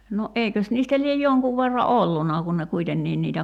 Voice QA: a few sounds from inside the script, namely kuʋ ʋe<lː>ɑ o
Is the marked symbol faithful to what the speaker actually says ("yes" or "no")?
no